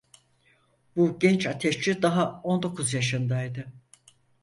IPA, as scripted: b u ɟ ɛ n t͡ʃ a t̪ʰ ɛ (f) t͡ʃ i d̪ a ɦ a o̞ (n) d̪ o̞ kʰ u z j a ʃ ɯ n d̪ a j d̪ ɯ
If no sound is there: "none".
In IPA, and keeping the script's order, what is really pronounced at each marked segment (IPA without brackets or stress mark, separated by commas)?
ʃ, n